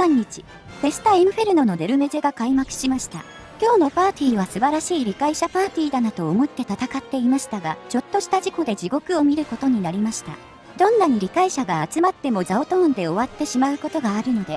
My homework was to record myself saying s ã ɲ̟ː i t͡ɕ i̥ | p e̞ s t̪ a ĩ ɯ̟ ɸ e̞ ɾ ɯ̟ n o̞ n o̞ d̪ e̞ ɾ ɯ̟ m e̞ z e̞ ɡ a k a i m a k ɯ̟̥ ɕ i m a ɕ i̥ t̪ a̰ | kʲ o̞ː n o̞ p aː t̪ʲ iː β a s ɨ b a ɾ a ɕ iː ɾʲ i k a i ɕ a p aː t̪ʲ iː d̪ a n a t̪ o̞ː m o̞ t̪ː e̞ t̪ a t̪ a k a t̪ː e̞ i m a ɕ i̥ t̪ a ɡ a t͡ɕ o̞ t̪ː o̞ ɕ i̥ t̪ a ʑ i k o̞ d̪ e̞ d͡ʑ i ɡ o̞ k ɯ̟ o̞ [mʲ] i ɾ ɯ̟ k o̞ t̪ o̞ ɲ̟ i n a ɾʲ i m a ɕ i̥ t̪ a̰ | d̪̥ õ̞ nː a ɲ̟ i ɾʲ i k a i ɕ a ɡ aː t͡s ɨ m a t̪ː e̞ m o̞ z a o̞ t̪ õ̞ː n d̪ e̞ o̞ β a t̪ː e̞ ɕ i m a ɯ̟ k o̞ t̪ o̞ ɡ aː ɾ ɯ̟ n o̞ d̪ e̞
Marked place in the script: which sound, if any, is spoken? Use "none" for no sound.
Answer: mʲ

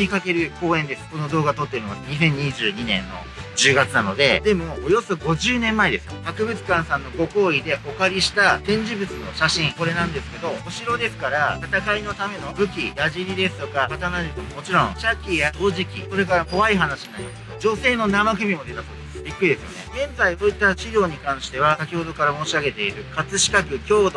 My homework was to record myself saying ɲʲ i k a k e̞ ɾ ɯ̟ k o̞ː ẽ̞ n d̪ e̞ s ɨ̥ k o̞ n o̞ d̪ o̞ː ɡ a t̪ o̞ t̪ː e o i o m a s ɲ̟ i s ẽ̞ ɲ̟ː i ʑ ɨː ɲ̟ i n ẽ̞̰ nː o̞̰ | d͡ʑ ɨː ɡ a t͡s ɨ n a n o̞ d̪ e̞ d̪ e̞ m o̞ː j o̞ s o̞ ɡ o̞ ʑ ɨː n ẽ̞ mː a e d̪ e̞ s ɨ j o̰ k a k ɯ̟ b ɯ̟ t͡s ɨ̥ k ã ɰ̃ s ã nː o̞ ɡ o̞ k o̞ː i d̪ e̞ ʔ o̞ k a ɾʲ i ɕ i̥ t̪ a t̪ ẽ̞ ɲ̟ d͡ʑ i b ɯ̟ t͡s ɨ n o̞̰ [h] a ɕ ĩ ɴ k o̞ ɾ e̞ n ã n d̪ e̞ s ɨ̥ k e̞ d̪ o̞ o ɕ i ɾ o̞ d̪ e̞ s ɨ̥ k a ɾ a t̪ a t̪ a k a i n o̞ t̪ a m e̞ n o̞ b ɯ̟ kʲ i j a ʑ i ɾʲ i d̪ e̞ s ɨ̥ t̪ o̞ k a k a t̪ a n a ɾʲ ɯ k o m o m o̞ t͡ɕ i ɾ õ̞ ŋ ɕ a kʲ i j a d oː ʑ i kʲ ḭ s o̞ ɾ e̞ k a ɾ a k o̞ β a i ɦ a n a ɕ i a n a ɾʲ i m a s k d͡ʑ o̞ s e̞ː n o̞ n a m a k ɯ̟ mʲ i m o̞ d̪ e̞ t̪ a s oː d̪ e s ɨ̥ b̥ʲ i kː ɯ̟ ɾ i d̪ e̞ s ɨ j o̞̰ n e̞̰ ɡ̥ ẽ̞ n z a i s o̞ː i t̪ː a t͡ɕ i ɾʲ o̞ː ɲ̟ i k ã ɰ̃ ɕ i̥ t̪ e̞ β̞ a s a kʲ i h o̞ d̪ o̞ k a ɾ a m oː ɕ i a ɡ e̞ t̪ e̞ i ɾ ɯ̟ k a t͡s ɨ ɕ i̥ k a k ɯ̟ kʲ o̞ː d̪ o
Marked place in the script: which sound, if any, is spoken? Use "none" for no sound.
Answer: ɕ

